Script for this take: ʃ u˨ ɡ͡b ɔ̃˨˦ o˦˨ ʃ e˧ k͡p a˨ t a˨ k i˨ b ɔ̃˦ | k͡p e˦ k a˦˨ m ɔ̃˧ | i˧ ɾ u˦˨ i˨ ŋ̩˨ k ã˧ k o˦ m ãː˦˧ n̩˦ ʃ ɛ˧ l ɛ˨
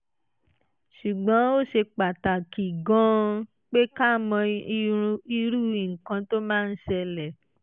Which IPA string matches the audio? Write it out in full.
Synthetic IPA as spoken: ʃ u˨ ɡ͡b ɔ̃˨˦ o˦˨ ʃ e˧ k͡p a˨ t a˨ k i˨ ɡ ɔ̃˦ | k͡p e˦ k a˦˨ m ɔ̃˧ | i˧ ɾ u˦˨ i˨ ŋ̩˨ k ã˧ t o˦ m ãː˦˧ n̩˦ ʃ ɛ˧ l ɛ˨

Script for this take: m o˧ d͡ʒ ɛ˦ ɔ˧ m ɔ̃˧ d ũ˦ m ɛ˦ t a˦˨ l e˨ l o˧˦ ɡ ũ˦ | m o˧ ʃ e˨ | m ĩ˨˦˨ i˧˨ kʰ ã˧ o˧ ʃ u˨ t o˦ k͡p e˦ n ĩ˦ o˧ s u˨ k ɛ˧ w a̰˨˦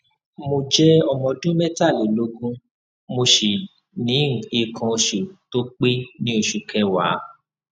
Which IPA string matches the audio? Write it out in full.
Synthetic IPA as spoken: m o˧ d͡ʒ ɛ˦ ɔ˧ m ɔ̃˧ d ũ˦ m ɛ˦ t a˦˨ l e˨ l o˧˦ ɡ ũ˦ | m o˧ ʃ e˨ | n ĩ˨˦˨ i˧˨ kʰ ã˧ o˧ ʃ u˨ t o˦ k͡p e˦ n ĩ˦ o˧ ʃ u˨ k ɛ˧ w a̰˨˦

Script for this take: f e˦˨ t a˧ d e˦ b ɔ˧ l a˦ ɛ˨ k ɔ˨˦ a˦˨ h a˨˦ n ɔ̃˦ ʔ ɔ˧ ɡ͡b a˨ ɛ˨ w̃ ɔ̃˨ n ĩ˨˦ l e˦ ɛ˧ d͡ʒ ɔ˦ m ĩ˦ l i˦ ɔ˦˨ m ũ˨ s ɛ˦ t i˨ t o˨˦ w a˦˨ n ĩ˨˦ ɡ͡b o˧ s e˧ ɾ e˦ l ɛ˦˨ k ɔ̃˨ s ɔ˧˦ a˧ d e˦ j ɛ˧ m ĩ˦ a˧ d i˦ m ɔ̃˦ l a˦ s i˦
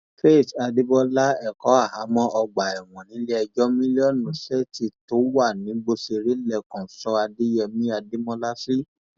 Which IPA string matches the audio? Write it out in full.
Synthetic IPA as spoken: f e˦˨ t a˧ d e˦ b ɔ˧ l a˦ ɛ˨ k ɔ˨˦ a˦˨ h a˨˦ m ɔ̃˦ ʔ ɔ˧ ɡ͡b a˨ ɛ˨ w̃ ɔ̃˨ n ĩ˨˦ l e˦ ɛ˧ d͡ʒ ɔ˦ m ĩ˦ l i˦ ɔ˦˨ n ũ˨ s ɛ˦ t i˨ t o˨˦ w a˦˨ n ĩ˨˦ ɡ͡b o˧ s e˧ ɾ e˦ l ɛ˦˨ k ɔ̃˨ s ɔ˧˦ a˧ d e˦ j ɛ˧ m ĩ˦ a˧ d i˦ m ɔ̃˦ l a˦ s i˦

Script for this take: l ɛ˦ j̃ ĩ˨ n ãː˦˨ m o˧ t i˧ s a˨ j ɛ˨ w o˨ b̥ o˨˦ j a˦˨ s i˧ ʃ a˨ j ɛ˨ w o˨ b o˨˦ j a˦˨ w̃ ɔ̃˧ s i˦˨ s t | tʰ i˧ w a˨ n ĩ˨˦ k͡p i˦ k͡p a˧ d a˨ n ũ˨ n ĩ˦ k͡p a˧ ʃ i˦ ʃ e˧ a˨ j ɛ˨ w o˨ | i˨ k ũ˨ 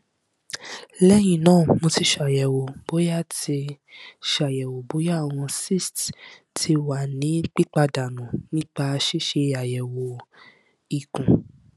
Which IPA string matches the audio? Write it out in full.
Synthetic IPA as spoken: l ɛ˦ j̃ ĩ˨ n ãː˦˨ m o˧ t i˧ ʃ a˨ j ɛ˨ w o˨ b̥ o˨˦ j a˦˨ t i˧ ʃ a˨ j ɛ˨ w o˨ b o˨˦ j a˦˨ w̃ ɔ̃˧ s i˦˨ s t | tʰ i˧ w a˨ n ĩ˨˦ k͡p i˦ k͡p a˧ d a˨ n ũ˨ n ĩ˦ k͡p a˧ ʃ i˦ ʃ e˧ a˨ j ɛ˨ w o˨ | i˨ k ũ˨

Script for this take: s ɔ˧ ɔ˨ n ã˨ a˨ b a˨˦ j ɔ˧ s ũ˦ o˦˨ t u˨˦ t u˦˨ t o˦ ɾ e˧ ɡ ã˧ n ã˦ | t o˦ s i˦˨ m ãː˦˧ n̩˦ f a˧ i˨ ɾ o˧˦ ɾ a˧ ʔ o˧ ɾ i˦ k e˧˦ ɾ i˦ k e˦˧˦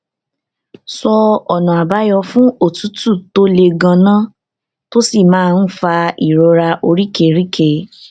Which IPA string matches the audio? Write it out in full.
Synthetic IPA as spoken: s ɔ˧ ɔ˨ n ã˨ a˨ b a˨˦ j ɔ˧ f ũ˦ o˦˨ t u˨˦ t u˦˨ t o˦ l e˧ ɡ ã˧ n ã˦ | t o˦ s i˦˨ m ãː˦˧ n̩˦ f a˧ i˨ ɾ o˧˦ ɾ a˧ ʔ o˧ ɾ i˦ k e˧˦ ɾ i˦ k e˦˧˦

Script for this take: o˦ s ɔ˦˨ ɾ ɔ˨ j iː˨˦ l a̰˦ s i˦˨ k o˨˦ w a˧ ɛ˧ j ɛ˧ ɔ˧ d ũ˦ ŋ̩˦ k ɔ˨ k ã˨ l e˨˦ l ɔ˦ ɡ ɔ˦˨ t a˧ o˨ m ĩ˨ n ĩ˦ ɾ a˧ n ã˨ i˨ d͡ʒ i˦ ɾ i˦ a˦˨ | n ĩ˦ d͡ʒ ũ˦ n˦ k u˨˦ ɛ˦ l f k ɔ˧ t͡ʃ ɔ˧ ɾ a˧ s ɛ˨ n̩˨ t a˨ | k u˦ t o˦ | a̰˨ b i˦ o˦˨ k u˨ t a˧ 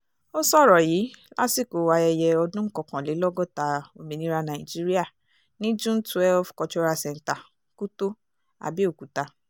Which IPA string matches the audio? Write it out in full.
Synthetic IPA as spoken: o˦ s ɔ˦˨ ɾ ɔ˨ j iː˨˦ l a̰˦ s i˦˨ k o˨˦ w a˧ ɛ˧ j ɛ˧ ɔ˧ d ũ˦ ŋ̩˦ k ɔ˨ k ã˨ l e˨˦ l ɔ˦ ɡ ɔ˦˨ t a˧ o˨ m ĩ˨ n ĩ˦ ɾ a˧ n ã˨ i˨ d͡ʒ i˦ ɾ i˦ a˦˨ | n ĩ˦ d͡ʒ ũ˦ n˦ t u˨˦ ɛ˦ l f k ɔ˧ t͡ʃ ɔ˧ ɾ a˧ s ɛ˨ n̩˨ t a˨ | k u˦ t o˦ | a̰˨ b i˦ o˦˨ k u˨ t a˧

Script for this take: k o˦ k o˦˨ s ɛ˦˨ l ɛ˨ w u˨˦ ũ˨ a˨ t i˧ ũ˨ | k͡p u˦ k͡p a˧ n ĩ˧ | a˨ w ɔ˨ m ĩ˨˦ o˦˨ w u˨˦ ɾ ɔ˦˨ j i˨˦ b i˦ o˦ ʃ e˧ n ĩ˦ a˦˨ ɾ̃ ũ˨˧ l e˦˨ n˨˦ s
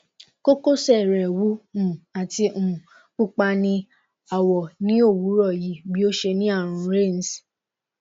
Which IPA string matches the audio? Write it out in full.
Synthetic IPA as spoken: k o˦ k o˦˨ s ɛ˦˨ ɾ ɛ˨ w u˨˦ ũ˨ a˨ t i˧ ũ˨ | k͡p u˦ k͡p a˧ n ĩ˧ | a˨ w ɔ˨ n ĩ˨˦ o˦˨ w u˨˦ ɾ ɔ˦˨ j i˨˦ b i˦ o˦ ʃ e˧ n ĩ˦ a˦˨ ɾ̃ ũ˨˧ ɾ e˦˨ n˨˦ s

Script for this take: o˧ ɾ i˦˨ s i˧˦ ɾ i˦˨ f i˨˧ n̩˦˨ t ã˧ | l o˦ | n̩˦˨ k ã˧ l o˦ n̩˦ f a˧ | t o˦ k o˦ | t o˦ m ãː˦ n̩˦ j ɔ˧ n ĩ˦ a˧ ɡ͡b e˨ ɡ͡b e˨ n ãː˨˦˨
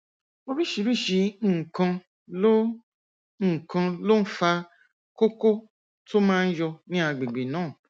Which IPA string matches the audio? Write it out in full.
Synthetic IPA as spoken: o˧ ɾ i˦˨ ʃ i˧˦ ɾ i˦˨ ʃ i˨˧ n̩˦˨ k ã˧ | l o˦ | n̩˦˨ k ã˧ l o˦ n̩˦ f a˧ | k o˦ k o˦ | t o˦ m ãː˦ n̩˦ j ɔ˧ n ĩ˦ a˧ ɡ͡b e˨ ɡ͡b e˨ n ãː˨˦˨

